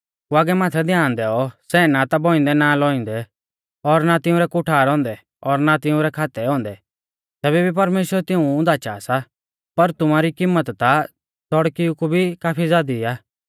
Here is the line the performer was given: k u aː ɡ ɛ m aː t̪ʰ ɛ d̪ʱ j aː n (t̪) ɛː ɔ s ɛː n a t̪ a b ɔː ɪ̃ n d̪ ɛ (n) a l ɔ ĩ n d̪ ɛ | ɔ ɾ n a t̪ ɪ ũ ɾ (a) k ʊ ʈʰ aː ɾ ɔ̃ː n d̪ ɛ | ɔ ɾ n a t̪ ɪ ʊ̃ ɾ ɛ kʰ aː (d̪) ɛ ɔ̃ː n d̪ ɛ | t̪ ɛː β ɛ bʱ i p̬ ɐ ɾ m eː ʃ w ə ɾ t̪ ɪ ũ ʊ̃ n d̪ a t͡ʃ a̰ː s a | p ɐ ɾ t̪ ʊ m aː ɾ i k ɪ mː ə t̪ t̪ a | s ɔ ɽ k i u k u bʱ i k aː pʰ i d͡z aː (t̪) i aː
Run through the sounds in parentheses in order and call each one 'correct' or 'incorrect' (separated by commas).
incorrect, correct, incorrect, incorrect, incorrect